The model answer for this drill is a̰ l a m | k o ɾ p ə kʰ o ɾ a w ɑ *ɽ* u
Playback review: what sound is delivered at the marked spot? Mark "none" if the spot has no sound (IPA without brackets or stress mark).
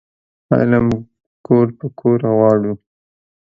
ɽ